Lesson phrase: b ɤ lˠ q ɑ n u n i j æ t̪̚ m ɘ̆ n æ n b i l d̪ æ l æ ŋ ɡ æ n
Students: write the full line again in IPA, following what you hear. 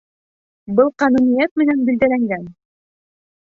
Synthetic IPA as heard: b ɤ lˠ q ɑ n u n i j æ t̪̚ m ɘ̆ n æ n b i l d̪ æ l æ ŋ ɡ æ n